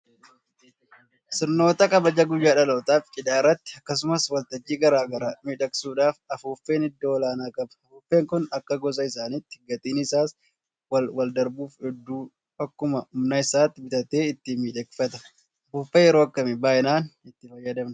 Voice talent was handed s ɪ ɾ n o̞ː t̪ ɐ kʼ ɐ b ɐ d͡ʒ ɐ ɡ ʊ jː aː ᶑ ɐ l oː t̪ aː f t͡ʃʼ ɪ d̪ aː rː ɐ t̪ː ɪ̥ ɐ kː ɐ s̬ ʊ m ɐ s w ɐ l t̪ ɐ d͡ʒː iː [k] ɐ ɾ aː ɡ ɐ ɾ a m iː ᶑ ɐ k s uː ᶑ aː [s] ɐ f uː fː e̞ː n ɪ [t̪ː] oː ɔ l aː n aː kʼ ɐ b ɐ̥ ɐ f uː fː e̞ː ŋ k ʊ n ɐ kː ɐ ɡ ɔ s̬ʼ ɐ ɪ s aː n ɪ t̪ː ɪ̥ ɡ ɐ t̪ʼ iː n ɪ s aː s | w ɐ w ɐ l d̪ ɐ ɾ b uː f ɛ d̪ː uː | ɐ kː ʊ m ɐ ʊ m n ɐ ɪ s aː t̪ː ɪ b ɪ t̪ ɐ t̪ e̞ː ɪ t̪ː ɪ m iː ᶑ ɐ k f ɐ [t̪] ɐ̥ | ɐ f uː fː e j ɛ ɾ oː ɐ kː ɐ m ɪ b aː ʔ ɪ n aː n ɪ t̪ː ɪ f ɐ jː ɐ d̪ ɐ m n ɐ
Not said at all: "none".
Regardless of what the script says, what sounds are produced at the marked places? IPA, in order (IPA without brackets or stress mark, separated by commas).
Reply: ɡ, f, d̪ː, t̪